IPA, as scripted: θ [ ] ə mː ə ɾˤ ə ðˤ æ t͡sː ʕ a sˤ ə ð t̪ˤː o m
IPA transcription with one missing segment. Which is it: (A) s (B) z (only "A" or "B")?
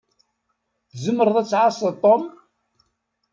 B